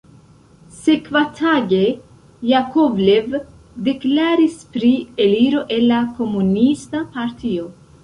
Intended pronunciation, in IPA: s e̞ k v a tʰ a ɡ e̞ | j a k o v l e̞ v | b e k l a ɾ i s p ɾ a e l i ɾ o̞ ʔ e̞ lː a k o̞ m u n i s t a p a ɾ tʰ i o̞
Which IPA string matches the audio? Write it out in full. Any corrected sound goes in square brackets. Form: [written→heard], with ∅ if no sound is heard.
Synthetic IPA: s e̞ k v a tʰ a ɡ e̞ | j a k o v l e̞ v | [b→d] e k l a ɾ i s p ɾ [a→i] e l i ɾ o̞ ʔ e̞ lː a k o̞ m u n i s t a p a ɾ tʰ i o̞